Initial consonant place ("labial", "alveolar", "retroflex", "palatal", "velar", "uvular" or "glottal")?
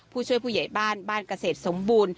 labial